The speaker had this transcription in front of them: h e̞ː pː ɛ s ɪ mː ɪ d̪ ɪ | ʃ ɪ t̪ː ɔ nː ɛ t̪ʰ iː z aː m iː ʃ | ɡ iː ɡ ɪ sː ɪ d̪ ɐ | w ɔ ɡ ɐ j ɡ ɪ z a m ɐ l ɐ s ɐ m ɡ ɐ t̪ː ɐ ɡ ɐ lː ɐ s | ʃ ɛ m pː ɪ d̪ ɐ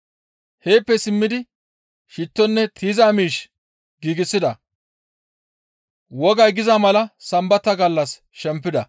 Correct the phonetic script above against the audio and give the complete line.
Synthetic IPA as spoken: h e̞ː pː ɛ s ɪ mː ɪ d̪ ɪ | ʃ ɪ t̪ː ɔ nː ɛ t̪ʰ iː z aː m iː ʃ | ɡ iː ɡ ɪ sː ɪ d̪ ɐ | w ɔ ɡ ɐ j ɡ ɪ z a m ɐ l ɐ s ɐ m b ɐ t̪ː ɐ ɡ ɐ lː ɐ s | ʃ ɛ m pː ɪ d̪ ɐ